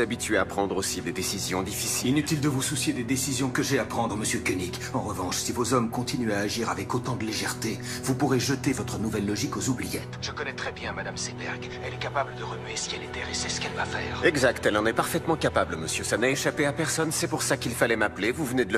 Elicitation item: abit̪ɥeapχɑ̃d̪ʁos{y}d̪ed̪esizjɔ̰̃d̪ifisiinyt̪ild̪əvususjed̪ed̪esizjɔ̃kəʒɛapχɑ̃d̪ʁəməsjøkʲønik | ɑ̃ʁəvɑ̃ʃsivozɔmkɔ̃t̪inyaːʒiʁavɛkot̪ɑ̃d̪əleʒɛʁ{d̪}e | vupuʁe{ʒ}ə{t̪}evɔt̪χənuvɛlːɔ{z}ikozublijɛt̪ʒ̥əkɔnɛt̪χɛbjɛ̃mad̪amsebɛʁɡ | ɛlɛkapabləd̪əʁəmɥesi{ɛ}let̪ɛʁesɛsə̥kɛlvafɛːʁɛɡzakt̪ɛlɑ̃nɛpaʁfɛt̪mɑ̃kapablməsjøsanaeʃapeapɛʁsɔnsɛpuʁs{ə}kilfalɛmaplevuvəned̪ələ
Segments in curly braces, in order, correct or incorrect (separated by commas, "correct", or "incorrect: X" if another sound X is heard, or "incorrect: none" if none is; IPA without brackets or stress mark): incorrect: i, incorrect: t̪, correct, correct, incorrect: ʒ, correct, incorrect: a